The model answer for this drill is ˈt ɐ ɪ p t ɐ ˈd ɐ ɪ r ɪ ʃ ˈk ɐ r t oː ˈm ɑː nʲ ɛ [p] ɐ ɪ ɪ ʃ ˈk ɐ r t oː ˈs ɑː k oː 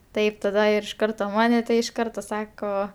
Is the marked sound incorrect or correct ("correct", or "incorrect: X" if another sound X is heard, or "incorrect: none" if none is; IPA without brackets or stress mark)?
incorrect: t